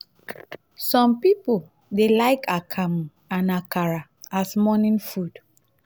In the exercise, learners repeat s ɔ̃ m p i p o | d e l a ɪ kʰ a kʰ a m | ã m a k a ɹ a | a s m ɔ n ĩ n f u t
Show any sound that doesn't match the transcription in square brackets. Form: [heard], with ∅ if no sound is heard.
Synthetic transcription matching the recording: s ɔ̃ m p i p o | d e l a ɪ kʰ a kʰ a m | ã [n] a k a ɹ a | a s m ɔ n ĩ n f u [d]